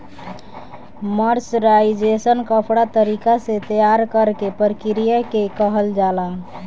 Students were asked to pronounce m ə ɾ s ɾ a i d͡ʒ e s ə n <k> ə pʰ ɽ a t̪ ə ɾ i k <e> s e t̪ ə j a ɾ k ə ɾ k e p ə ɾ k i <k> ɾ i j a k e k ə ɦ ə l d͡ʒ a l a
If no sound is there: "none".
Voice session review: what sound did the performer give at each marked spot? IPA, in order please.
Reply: k, a, none

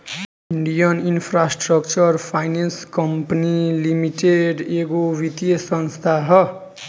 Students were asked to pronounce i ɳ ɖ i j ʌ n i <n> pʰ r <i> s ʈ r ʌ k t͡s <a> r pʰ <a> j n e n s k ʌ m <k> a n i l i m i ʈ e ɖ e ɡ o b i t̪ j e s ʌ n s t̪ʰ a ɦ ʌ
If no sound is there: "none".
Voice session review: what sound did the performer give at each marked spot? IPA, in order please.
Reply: n, a, ʌ, a, p

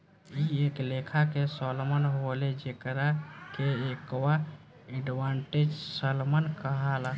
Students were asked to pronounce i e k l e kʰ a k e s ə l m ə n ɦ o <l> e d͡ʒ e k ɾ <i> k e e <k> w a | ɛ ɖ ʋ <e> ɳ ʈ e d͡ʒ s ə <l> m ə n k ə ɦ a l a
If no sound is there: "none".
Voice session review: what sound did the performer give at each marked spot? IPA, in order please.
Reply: l, a, k, a, l

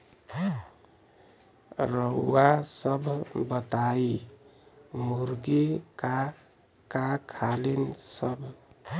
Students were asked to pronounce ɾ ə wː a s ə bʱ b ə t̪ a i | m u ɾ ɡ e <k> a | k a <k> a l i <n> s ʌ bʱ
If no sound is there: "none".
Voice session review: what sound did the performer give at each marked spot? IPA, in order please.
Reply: k, kʰ, n

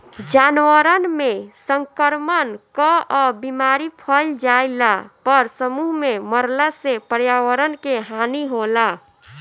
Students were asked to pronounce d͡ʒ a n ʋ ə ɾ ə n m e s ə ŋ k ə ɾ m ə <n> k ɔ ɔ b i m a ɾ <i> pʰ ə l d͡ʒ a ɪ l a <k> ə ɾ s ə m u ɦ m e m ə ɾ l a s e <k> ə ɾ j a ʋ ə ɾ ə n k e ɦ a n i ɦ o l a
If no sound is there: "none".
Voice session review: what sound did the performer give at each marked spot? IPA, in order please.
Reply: n, i, p, p

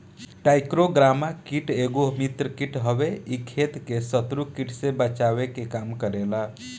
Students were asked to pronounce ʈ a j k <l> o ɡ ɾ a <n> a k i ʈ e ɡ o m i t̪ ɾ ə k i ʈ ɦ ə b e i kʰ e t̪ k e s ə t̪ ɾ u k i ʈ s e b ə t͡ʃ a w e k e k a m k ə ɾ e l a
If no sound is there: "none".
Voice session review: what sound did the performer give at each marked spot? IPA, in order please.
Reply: ɾ, m

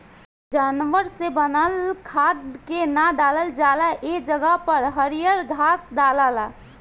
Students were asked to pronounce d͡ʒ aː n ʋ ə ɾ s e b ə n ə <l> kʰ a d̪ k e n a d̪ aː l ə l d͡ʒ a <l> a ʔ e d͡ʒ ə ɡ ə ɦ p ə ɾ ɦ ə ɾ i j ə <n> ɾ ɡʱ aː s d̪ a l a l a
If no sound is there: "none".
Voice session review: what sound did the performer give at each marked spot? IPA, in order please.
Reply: l, l, none

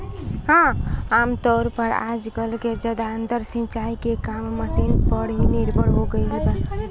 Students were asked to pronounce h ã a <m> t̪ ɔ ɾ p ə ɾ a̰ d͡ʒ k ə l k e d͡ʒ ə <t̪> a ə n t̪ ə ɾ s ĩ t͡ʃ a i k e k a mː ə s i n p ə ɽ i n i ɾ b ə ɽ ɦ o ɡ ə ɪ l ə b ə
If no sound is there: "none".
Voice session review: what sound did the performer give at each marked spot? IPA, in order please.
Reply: m, d̪

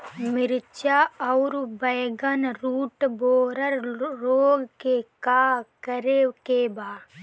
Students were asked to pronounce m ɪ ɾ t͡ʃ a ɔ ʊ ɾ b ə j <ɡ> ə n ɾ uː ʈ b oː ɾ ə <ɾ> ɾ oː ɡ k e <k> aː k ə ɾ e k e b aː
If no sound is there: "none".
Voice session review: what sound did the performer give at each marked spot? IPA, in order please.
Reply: ɡ, ɾ, k

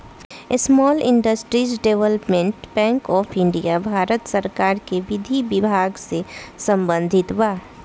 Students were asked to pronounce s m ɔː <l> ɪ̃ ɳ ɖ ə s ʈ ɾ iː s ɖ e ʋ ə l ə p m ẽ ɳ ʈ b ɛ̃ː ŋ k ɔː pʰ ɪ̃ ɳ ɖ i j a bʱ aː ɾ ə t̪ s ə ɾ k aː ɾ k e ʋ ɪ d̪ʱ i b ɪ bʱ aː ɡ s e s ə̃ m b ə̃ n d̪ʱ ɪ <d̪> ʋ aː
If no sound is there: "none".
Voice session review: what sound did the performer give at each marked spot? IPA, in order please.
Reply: l, t̪

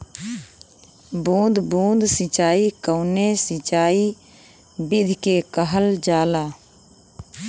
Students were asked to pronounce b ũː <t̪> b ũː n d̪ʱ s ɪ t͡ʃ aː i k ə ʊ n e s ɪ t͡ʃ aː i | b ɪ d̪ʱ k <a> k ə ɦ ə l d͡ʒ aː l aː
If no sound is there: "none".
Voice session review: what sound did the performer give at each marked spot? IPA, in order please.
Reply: d̪, e

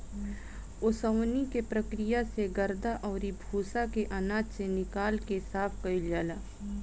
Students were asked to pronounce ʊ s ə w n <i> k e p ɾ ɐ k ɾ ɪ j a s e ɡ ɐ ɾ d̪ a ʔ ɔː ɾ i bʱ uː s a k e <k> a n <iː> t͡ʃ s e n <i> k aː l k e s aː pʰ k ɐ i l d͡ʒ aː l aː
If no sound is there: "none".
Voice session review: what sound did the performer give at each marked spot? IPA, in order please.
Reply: i, ʔ, aː, ɪ

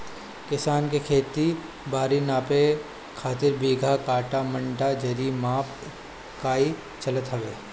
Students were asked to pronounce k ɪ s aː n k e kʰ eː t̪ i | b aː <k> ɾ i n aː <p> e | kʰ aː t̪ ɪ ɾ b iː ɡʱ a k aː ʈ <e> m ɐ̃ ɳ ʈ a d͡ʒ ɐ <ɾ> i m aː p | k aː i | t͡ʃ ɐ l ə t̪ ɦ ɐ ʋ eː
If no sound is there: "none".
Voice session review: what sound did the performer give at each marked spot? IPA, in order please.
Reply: none, p, a, ɾ

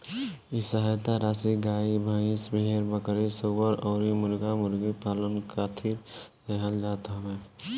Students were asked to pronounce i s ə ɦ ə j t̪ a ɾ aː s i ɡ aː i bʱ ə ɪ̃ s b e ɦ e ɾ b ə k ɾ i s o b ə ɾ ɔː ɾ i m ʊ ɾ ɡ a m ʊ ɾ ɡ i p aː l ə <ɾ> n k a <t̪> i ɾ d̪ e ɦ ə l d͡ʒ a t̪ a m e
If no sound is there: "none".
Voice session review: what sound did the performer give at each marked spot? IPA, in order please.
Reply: none, t̪ʰ

